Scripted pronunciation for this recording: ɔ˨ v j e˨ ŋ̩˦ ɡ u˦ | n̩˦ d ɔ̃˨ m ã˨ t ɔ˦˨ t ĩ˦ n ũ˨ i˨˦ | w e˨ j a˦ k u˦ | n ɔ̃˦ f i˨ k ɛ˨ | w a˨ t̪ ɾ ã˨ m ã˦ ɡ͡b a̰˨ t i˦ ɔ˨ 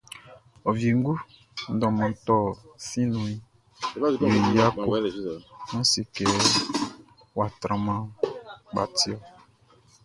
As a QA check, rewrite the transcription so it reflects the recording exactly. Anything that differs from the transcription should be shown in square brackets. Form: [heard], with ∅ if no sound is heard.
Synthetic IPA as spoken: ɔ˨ v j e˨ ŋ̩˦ ɡ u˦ | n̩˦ d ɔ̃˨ m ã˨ t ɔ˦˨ [s] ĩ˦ n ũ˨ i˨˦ | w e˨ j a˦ k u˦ | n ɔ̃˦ [s] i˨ k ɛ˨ | w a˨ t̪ ɾ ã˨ m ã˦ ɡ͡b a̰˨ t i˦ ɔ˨